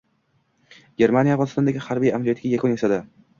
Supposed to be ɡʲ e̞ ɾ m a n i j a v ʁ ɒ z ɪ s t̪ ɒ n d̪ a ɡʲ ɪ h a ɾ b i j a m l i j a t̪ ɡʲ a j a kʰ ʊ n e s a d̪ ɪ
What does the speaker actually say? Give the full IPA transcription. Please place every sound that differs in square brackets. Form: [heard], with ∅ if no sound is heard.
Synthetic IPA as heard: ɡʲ e̞ ɾ m a n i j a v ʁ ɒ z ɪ s t̪ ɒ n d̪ a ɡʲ ɪ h a ɾ b i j a m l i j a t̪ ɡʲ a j a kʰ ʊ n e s a d̪ ɪ